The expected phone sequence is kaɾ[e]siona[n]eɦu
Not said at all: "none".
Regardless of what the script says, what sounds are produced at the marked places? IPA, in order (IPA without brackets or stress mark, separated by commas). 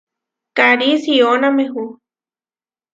i, m